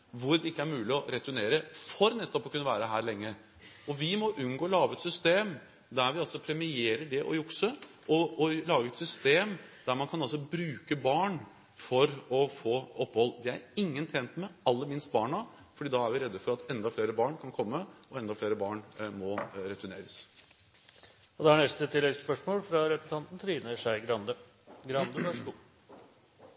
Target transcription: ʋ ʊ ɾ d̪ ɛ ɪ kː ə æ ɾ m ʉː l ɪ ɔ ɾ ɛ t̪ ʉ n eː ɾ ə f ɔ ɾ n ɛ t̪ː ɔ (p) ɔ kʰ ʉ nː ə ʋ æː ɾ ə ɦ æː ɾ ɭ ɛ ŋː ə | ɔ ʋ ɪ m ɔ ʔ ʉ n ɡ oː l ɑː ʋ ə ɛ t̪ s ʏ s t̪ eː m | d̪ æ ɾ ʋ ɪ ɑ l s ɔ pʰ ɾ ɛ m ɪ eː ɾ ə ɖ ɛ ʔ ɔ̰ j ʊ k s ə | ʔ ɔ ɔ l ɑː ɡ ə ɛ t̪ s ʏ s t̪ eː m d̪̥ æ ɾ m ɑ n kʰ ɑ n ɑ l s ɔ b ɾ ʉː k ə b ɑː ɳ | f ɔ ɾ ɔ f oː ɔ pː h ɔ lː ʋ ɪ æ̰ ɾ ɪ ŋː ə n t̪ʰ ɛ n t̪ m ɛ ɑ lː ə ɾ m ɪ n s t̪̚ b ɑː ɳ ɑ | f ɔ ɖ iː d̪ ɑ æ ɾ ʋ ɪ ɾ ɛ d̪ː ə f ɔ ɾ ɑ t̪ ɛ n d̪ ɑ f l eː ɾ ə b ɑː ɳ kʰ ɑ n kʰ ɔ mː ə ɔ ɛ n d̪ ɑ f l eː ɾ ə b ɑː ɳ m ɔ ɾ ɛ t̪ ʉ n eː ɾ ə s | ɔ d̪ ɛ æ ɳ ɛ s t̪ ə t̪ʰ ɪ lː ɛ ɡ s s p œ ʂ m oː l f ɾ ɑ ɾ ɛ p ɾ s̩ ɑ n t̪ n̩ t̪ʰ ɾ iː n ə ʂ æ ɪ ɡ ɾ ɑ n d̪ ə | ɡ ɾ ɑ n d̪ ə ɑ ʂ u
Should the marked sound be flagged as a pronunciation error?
no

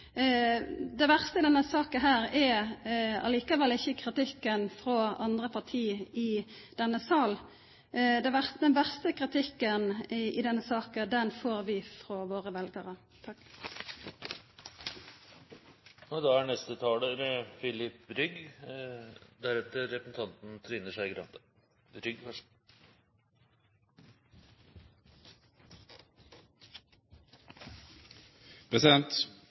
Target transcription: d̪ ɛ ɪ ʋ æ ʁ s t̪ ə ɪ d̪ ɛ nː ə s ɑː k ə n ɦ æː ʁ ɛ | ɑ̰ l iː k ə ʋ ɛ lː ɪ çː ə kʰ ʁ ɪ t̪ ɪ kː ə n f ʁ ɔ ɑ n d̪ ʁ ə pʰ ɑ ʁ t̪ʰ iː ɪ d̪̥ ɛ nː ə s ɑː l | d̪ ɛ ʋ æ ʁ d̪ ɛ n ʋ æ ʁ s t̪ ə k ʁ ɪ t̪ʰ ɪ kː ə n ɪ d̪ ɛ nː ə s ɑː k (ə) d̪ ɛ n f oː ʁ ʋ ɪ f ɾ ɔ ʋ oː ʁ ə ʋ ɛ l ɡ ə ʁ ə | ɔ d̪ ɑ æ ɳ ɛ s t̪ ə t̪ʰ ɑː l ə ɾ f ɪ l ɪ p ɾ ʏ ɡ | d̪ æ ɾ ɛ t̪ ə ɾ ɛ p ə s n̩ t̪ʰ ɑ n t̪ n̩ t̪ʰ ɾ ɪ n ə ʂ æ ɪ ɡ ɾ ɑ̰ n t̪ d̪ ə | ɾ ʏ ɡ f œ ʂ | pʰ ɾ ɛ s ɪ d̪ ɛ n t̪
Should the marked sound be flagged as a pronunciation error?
no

